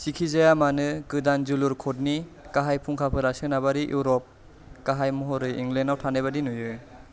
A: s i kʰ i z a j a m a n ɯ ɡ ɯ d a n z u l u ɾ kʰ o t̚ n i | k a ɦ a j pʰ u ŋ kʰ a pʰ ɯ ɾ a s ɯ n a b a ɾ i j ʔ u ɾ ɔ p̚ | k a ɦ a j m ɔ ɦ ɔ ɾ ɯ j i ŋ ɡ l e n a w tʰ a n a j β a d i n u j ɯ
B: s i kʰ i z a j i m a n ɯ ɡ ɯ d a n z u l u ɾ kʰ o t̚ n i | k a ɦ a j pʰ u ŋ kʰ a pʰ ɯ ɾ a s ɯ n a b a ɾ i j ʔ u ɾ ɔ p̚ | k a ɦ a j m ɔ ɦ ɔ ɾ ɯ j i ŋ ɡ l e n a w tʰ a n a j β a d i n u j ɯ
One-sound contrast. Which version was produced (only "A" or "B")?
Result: A